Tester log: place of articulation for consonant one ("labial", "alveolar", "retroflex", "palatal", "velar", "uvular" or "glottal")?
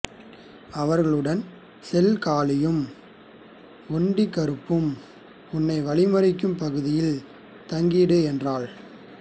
labial